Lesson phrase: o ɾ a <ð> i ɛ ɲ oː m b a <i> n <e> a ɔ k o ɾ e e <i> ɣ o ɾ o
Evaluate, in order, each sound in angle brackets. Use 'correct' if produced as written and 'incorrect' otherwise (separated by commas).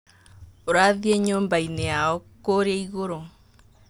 correct, correct, correct, correct